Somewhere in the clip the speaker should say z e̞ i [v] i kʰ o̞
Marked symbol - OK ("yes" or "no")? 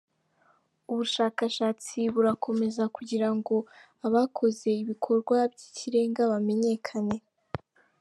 no